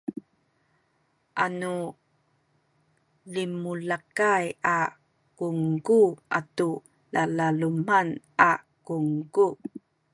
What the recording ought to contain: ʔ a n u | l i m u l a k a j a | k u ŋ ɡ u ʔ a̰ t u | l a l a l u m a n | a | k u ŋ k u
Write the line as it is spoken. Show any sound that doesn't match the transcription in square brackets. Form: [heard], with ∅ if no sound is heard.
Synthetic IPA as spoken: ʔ a n u | l i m u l a k a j a | k u ŋ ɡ u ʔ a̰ t u | l a l a l u m a n | a | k u ŋ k u